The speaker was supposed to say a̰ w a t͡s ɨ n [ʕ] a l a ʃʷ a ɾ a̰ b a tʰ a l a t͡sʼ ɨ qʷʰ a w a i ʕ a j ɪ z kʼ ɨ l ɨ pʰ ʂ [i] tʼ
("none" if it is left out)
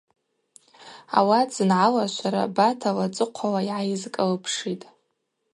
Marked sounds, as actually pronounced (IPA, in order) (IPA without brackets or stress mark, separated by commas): ʕ, i